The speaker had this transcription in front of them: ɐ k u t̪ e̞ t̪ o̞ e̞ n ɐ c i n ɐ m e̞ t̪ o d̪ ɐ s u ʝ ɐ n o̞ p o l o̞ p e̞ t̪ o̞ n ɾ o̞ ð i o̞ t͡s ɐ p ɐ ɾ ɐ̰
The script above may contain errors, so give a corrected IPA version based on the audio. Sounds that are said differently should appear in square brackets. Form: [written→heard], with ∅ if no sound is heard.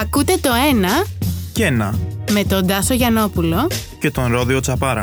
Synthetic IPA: ɐ k u t̪ e̞ t̪ o̞ e̞ n ɐ c [i→e] n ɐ m e̞ t̪ o d̪ ɐ s [u→o] ʝ ɐ n o̞ p [o→u] l o̞ [p→c] e̞ t̪ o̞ n ɾ o̞ ð i o̞ t͡s ɐ p ɐ ɾ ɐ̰